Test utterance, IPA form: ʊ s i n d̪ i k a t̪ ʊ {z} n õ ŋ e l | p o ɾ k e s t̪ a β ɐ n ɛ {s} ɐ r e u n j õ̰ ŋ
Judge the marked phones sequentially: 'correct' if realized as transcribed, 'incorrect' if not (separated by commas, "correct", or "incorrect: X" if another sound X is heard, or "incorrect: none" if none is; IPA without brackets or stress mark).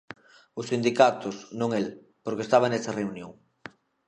incorrect: s, correct